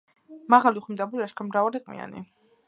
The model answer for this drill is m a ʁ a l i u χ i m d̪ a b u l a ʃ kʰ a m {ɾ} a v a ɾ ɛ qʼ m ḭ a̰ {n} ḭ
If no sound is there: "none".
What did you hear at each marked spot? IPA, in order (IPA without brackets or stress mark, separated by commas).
ɾ, n